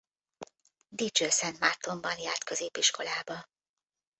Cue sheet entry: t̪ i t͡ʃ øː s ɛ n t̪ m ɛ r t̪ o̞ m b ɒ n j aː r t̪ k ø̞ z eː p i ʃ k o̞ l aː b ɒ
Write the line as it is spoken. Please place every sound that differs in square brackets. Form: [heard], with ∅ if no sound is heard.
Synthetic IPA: [d̪] i t͡ʃ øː s ɛ n t̪ m [a] r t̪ o̞ m b ɒ n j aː r t̪ k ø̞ z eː p i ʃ k o̞ l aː b ɒ